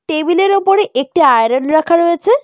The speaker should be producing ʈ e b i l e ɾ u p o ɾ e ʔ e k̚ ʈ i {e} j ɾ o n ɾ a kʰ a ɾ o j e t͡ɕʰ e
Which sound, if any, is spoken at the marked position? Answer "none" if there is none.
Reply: a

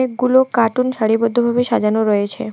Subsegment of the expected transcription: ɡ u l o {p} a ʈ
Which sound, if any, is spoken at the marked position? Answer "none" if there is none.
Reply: k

